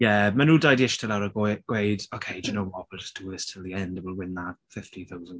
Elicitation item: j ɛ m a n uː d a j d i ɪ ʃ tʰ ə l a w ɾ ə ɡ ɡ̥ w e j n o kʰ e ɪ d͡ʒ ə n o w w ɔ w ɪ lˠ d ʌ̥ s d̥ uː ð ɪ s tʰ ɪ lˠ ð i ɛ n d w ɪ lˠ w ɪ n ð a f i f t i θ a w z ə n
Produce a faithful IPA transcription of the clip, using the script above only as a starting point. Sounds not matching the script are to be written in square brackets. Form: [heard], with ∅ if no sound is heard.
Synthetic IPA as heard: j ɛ m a n uː d a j d i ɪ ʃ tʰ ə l a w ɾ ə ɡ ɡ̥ w e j [d] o kʰ e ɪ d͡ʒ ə n o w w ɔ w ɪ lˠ [d͡ʒ] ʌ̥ s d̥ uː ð ɪ s tʰ ɪ lˠ ð i ɛ n d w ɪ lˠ w ɪ n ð a f [ɪ] f t i θ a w z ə n